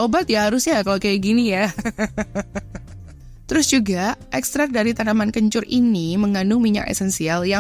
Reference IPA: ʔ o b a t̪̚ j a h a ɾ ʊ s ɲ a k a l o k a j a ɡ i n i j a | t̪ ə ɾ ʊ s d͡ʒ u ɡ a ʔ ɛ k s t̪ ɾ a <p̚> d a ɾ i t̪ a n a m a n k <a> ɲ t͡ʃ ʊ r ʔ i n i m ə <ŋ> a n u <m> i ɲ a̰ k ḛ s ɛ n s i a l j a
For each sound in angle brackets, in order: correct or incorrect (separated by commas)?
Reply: incorrect, incorrect, correct, correct